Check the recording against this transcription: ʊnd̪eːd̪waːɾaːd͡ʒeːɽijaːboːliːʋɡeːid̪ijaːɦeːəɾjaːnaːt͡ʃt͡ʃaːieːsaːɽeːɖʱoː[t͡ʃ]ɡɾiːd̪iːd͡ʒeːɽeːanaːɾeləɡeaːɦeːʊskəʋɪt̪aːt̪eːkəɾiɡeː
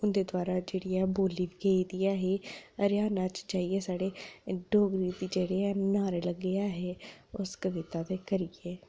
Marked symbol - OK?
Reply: no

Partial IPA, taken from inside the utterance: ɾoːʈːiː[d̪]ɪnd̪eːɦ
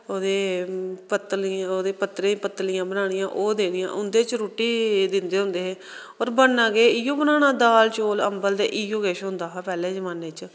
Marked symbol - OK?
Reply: yes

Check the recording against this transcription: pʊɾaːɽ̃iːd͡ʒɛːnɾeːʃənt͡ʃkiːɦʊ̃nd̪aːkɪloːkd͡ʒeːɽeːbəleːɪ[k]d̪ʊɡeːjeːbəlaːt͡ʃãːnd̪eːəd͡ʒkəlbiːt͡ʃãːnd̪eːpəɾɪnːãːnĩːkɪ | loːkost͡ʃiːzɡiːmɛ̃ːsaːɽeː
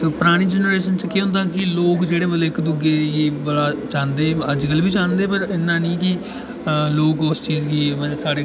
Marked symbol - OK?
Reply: yes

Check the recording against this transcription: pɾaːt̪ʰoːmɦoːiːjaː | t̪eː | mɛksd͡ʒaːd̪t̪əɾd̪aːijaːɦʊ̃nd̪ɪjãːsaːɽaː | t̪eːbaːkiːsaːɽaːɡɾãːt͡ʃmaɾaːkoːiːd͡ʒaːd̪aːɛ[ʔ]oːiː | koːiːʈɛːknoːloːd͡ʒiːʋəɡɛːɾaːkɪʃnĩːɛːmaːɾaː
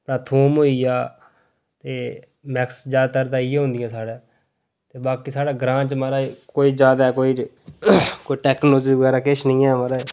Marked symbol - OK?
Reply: no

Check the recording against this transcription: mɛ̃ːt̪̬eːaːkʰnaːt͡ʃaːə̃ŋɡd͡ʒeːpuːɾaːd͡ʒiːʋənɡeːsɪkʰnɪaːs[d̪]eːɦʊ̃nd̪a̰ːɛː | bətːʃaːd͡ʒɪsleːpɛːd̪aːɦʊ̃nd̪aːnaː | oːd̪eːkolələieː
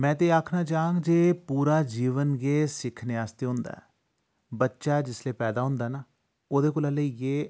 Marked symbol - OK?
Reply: no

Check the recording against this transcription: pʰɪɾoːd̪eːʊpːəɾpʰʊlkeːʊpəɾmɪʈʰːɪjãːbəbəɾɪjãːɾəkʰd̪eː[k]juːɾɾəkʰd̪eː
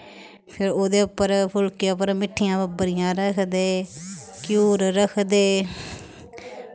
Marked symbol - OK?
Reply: yes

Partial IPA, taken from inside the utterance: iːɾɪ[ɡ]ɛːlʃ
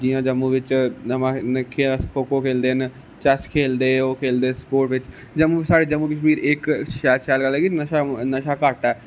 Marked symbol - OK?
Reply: no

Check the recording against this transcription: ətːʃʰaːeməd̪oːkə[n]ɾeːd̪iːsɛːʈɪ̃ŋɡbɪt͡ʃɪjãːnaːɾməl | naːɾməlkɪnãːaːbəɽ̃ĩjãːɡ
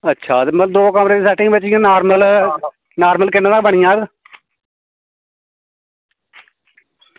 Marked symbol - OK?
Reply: no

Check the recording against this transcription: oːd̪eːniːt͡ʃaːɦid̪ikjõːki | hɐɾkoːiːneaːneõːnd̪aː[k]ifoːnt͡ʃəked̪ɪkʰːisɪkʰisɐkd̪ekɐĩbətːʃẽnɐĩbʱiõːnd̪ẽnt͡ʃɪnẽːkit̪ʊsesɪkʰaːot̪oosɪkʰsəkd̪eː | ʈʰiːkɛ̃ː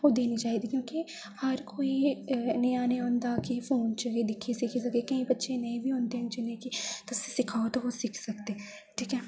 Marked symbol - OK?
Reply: yes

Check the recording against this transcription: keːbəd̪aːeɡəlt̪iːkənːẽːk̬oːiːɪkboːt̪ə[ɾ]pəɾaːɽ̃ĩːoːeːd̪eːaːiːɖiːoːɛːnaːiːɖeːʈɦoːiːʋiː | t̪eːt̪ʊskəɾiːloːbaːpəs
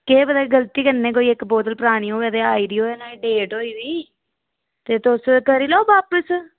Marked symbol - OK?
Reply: no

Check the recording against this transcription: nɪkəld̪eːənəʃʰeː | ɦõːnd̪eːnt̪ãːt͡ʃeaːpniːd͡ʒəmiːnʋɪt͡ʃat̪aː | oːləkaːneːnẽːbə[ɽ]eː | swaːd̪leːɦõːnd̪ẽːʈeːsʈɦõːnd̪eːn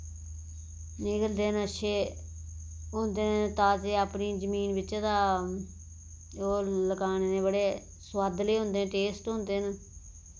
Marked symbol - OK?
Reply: yes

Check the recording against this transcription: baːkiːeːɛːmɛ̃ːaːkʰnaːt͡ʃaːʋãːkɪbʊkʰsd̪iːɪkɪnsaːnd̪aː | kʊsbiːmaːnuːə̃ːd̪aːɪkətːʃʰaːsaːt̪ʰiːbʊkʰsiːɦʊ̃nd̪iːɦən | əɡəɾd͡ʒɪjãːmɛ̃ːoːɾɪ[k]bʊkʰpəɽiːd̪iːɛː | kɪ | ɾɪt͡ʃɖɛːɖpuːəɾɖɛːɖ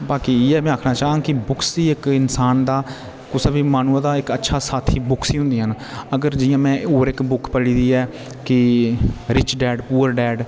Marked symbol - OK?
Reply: yes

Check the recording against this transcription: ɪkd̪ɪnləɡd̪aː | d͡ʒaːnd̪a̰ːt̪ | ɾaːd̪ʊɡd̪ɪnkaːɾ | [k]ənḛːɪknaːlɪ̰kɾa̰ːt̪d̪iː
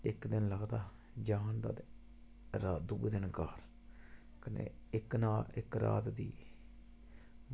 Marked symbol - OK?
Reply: yes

